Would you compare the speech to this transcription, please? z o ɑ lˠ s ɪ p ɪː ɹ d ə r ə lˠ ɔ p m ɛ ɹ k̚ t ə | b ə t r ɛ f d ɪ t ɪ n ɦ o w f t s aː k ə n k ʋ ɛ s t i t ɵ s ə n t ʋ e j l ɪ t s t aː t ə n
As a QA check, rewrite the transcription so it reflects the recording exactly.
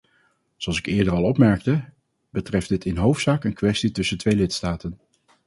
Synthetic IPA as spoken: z o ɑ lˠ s ɪ k ɪː ɹ d ə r ɑ lˠ ɔ p m ɛ ɹ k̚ t ə | b ə t r ɛ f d ɪ t ɪ n ɦ o w f t s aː k ə n k ʋ ɛ s t i t ɵ s ə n t ʋ e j l ɪ t s t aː t ə n